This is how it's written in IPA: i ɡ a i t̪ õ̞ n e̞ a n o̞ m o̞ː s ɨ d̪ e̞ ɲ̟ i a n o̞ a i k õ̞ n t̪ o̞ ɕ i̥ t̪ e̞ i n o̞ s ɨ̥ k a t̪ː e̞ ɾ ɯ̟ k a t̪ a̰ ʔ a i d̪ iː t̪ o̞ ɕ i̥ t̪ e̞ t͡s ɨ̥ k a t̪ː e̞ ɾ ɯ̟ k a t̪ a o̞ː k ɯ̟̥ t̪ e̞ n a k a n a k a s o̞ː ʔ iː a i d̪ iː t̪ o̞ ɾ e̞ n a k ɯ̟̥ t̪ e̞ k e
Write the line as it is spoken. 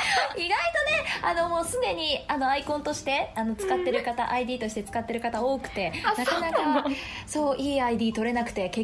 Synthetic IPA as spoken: i ɡ a i t̪ o̞ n e̞ a n o̞ m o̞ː s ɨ d̪ e̞ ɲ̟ i a n o̞ a i k õ̞ n t̪ o̞ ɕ i̥ t̪ e̞ a n o̞ t͡s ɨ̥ k a t̪ː e̞ ɾ ɯ̟ k a t̪ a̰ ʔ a i d̪ iː t̪ o̞ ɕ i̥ t̪ e̞ t͡s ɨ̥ k a t̪ː e̞ ɾ ɯ̟ k a t̪ a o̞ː k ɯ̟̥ t̪ e̞ n a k a n a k a s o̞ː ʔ iː a i d̪ iː t̪ o̞ ɾ e̞ n a k ɯ̟̥ t̪ e̞ k e